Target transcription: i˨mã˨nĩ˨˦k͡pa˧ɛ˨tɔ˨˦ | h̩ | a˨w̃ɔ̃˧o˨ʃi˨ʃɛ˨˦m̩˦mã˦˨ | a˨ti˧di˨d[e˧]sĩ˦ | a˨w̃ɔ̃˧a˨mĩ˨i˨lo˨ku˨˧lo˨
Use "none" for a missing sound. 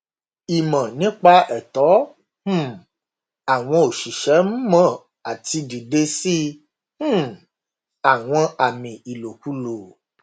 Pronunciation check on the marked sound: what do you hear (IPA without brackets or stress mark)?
e˧